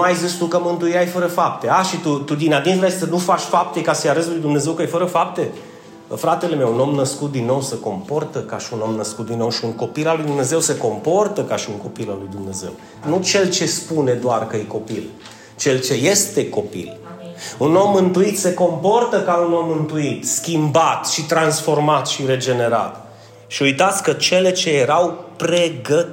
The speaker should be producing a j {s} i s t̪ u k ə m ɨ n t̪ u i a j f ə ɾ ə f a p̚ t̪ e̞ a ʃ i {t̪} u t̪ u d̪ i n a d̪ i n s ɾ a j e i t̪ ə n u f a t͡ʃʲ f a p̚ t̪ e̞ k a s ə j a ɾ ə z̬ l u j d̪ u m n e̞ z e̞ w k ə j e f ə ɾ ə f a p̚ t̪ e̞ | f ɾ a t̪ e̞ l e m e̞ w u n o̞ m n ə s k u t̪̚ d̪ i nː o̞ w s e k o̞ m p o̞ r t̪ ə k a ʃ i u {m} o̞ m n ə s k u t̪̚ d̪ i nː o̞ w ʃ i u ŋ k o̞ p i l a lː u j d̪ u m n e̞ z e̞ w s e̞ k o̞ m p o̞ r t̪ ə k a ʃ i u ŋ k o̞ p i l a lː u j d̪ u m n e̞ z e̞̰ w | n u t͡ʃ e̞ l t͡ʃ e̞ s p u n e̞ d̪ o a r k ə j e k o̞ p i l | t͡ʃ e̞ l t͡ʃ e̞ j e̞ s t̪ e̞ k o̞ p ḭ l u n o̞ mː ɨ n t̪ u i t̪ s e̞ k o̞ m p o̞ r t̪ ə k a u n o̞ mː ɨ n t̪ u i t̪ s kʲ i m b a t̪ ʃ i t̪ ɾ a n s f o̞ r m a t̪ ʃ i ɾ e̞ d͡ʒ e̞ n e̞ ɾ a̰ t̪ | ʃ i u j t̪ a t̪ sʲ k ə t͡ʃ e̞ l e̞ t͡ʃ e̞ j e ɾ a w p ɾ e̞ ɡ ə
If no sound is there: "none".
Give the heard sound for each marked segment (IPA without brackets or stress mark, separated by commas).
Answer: z, t̪, n